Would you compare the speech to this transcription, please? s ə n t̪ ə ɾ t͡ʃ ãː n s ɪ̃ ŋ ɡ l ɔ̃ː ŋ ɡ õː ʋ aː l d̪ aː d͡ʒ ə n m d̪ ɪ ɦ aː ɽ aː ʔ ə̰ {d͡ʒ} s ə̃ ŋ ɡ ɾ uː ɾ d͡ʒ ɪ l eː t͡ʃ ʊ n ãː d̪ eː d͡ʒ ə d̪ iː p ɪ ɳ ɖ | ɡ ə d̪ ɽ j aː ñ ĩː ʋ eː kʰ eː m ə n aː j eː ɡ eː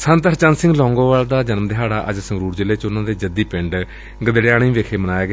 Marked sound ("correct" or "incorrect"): correct